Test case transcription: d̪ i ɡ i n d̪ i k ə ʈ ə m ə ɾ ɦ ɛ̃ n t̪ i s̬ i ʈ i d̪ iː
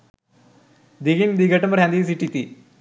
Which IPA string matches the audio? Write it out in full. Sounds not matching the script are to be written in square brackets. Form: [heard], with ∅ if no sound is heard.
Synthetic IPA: d̪ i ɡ i n d̪ i [ɡ] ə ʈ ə m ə ɾ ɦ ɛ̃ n [d̪] i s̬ i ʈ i [t̪] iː

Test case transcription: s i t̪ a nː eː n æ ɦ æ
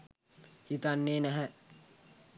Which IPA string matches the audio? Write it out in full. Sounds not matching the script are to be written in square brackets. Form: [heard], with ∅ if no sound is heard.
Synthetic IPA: [h] i t̪ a nː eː n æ ɦ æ

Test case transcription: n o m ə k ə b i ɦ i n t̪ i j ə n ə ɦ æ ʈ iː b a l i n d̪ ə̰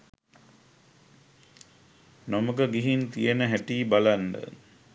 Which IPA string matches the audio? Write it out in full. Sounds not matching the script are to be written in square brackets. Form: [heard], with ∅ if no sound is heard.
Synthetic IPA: n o m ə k ə [ɡ] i ɦ i n t̪ i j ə n ə ɦ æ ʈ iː b a l [a] n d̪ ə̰

